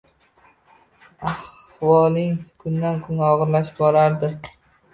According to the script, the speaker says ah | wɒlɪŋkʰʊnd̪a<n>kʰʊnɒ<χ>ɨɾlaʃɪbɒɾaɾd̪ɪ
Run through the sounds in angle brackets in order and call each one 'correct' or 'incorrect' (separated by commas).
correct, incorrect